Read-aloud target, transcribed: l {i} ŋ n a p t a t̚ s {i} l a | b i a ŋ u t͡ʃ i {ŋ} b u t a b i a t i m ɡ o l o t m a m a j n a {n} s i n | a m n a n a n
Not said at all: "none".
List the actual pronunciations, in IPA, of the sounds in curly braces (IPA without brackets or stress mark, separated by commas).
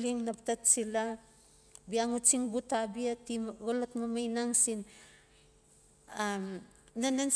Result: i, i, ŋ, ŋ